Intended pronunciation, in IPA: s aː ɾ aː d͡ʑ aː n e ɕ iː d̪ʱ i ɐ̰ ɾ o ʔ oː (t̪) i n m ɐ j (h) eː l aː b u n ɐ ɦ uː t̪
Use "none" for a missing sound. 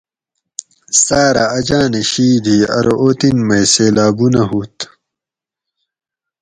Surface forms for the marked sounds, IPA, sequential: t̪, s

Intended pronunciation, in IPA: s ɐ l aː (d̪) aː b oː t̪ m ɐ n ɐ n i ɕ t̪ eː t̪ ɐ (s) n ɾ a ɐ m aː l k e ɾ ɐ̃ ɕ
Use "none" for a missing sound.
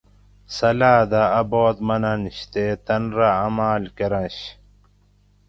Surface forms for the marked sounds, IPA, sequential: d̪, none

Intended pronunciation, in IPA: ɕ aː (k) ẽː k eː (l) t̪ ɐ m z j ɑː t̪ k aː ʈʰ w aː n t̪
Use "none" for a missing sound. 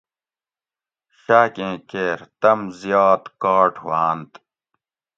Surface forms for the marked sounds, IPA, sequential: k, ɾ

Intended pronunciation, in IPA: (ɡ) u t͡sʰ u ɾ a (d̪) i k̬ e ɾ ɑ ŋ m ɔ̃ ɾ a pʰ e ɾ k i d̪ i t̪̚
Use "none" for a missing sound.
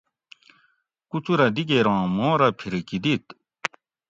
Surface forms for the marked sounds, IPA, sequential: k, d̪

